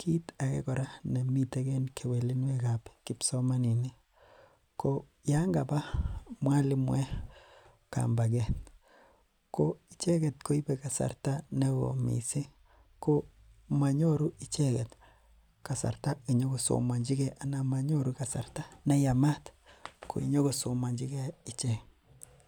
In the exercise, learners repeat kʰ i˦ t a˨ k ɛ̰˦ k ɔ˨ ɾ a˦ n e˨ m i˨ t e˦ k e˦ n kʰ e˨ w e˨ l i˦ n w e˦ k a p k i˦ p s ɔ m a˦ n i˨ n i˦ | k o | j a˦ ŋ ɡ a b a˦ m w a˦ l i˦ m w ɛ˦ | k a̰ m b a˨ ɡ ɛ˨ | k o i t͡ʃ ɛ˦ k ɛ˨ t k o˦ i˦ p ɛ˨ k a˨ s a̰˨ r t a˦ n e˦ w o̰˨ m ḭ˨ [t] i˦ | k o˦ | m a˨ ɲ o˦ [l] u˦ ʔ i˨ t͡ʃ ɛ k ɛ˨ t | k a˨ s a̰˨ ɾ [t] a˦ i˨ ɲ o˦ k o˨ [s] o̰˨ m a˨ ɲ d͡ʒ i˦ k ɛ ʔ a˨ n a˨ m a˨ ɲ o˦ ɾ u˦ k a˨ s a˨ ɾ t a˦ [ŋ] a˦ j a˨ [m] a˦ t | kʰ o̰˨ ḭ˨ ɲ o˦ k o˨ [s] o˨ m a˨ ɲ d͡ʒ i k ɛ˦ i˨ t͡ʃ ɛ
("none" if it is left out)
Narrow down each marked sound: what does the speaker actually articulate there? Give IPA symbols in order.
s, ɾ, t, s, n, m, s

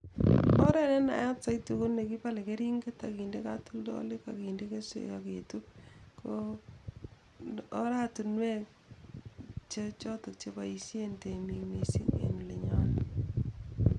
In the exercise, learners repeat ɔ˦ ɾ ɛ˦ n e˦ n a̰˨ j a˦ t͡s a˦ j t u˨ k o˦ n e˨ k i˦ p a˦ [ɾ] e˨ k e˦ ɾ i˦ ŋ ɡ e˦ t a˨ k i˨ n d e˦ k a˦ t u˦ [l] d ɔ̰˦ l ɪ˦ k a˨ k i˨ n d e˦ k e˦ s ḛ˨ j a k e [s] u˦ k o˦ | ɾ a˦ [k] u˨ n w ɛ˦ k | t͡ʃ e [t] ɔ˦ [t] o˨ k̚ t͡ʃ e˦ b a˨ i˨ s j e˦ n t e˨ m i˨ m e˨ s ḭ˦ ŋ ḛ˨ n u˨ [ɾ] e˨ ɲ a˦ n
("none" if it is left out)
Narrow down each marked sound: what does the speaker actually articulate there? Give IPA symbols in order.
l, l, t, t, t͡ʃ, t, l

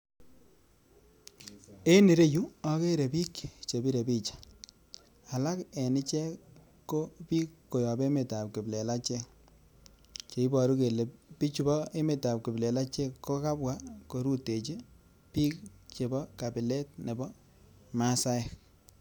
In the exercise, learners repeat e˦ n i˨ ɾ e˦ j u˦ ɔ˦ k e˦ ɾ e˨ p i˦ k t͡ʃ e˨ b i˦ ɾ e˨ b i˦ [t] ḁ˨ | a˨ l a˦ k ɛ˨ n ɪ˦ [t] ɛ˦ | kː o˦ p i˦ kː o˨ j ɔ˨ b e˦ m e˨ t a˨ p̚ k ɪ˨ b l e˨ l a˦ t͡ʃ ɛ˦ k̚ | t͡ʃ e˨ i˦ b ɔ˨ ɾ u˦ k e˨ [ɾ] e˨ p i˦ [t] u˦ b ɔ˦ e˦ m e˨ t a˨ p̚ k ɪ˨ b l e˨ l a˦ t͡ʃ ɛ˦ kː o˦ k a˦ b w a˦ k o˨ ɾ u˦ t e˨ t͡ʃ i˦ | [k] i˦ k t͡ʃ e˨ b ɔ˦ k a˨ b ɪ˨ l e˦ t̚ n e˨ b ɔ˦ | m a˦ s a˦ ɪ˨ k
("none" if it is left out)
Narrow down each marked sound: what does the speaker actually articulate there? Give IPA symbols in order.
t͡ʃ, t͡ʃ, l, t͡ʃ, p

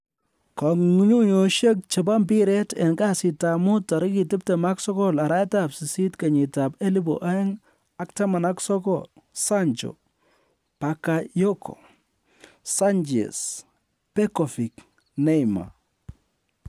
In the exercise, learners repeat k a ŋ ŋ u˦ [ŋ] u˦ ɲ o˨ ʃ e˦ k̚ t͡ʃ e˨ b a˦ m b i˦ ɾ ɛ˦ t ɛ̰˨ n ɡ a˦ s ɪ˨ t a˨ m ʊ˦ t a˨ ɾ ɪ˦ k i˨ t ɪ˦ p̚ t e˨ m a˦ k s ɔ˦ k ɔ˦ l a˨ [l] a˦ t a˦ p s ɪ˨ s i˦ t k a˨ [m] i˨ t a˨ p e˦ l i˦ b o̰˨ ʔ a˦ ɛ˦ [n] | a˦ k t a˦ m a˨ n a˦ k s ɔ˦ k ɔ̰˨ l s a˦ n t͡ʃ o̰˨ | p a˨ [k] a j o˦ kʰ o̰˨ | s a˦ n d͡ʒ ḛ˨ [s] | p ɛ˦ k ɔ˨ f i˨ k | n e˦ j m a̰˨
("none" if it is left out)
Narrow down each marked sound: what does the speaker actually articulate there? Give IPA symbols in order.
ɲ, ɾ, ɲ, ŋ, k, s

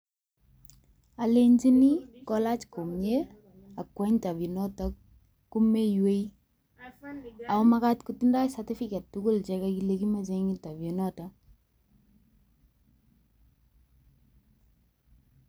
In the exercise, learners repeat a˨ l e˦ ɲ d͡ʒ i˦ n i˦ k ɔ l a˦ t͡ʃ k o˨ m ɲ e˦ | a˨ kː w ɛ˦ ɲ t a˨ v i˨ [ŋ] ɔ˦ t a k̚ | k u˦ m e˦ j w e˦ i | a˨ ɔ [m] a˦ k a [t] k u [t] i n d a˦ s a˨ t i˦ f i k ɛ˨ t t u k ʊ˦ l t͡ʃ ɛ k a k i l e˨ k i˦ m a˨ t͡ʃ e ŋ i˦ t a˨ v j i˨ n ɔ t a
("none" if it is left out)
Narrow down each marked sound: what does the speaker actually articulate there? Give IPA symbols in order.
n, m, t, t

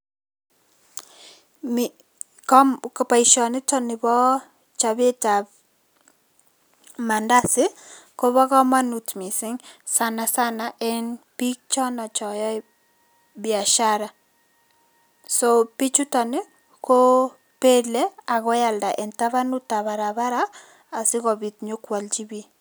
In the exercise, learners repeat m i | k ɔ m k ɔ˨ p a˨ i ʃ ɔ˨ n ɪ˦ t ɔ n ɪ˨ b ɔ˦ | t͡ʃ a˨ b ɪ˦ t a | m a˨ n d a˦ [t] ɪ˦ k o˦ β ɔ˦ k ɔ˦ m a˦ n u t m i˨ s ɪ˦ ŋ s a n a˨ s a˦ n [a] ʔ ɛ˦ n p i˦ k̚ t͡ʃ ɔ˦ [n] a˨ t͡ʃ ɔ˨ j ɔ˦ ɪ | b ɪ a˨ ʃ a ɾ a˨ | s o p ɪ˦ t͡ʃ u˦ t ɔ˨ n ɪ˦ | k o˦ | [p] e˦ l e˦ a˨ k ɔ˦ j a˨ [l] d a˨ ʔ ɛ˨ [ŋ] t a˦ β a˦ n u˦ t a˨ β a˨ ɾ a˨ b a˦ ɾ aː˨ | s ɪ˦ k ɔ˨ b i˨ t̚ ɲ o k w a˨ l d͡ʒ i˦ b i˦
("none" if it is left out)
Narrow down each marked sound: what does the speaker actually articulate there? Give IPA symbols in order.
s, a, n, p, l, n

